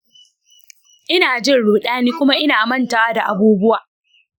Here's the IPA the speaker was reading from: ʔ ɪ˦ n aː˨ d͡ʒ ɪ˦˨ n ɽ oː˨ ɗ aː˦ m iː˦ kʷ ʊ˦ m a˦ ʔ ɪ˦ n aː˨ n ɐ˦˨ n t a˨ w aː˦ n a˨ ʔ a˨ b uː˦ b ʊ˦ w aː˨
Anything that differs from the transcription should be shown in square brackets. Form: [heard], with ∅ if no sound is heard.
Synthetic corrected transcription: ʔ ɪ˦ n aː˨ d͡ʒ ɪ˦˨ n ɽ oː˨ ɗ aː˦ [n] iː˦ kʷ ʊ˦ m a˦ ʔ ɪ˦ n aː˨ [m] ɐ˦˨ n t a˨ w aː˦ [d] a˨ ʔ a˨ b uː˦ b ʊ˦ w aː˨